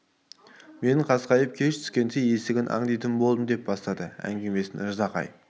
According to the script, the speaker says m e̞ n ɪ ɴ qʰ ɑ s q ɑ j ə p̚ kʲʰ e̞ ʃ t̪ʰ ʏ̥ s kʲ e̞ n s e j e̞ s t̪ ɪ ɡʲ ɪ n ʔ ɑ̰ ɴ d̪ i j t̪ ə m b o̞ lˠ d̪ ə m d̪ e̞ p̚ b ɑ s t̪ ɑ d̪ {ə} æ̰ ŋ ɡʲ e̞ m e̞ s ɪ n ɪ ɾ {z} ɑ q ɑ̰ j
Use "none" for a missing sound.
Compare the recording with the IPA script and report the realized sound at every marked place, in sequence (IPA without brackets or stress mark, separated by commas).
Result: ə, z